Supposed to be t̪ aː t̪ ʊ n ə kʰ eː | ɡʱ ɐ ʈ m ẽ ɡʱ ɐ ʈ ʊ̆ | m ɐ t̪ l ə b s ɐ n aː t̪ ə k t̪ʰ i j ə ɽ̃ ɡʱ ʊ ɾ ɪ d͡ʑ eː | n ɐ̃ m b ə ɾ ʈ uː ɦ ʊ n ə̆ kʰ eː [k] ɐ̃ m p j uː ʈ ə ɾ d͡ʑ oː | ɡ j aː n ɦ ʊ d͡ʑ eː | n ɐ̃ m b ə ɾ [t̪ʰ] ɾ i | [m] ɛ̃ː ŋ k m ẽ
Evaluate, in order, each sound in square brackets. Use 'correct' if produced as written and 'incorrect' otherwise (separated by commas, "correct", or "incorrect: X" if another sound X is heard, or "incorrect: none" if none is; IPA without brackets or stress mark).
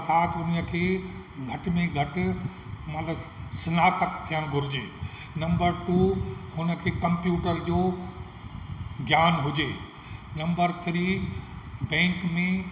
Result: correct, correct, incorrect: b